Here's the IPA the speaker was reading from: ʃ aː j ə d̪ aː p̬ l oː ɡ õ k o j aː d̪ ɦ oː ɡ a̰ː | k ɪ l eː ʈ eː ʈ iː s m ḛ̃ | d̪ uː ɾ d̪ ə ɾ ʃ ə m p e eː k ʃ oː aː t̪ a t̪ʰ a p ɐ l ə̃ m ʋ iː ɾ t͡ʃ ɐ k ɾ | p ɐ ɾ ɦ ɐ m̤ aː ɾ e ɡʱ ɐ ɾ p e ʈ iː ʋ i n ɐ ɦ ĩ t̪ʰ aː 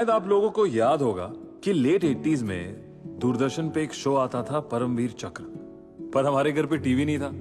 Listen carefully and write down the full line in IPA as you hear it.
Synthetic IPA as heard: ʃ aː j ə d̪ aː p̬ l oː ɡ õ k o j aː d̪ ɦ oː ɡ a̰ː | k i l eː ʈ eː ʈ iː z m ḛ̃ | d̪ uː ɾ d̪ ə ɾ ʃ ə n p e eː k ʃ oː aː t̪ a t̪ʰ a p ɐ ɾ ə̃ m ʋ iː ɾ t͡ʃ ɐ k ɾ | p ɐ ɾ ɦ ɐ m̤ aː ɾ e ɡʱ ɐ ɾ p e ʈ iː ʋ i n ɐ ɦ ĩ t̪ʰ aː